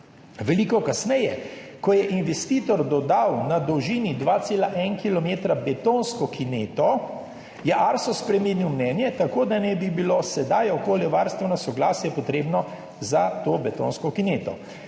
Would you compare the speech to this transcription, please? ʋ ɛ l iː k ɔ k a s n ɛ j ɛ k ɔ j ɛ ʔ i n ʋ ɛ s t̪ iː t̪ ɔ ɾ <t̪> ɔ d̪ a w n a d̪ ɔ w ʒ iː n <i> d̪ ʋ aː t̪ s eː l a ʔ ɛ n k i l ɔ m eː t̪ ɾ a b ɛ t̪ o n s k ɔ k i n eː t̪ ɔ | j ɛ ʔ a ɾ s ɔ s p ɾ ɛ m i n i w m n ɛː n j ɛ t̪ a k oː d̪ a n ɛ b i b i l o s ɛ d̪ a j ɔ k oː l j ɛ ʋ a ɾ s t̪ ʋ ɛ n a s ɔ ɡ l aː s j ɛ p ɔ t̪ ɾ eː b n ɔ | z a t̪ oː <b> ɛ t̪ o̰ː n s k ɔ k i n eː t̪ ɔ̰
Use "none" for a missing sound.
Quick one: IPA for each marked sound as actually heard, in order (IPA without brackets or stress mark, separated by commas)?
d̪, i, b